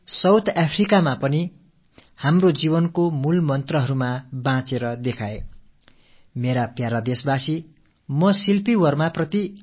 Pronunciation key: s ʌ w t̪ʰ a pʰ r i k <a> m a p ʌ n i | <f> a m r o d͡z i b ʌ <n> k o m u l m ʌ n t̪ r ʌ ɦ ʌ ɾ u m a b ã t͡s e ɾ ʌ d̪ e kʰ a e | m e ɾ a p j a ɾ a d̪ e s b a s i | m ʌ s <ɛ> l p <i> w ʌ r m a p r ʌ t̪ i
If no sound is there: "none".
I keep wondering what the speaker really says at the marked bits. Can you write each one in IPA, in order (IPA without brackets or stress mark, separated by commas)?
a, h, n, i, i